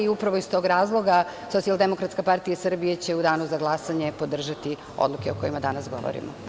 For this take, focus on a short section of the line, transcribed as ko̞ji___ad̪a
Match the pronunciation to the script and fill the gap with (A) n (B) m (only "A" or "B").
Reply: B